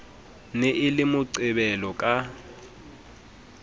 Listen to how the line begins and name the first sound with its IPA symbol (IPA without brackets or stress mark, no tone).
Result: n